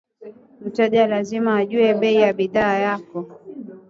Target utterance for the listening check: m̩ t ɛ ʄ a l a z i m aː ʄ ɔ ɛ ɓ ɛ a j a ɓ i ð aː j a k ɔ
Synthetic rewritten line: m̩ t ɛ ʄ a l a z i m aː ʄ u ɛ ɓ ɛ i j a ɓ i ð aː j a k ɔ